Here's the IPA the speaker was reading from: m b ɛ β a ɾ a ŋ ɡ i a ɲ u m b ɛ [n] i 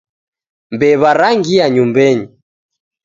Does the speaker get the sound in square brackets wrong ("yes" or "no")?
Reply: yes